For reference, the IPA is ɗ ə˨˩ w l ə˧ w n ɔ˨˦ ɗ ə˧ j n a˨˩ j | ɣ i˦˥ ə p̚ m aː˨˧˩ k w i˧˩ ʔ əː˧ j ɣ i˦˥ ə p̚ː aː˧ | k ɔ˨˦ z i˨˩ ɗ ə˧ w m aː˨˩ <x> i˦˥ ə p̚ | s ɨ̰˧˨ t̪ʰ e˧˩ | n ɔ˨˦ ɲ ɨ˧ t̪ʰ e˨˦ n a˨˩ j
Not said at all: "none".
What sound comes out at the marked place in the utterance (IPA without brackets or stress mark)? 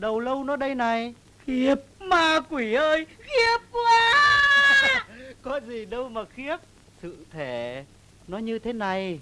x